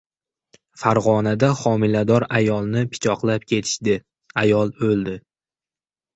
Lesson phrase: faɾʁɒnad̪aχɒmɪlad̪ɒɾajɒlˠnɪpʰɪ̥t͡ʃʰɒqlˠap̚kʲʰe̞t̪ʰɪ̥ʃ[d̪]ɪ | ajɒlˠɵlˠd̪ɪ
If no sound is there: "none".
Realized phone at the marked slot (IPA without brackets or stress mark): d̪